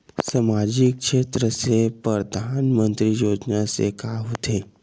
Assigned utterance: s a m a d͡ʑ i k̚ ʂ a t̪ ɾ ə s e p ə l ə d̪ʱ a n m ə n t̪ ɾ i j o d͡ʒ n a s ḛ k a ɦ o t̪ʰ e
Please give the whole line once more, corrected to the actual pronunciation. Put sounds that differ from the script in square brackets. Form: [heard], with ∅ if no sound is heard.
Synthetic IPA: s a m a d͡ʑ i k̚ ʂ [e] t̪ ɾ ə s e p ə [ɾ] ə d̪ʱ a n m ə n t̪ ɾ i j o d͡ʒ n a s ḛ k a ɦ o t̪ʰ e